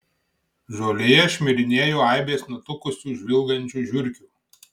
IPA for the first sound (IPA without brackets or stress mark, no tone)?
ʒ